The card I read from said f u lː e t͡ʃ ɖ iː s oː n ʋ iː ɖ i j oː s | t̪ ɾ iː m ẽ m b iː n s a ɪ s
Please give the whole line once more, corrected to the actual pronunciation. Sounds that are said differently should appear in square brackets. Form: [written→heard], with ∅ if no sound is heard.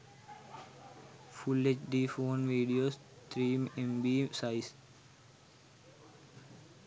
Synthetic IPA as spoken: f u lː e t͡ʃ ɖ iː [s→f] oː n ʋ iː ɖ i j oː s | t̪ ɾ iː m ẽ m b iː [n→∅] s a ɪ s